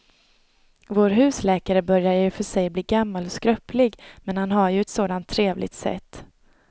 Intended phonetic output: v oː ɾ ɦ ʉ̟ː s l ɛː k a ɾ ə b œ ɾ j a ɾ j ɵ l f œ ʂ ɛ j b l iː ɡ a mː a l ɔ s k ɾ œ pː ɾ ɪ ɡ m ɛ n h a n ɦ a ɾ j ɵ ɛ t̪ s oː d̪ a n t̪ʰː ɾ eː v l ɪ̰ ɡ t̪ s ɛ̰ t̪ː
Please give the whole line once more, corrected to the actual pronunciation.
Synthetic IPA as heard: v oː ɾ ɦ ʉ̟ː s l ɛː k a ɾ ə b œ ɾ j a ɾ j ɵ f œ ʂ ɛ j b l iː ɡ a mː a l ɔ s k ɾ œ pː l ɪ ɡ m ɛ n h a n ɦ a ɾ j ɵ ɛ t̪ s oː d̪ a n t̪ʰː ɾ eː v l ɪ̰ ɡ t̪ s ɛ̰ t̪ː